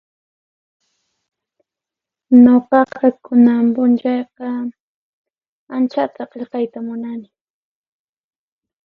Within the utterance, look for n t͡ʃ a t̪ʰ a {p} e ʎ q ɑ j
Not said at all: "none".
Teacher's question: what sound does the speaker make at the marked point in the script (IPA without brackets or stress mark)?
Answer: q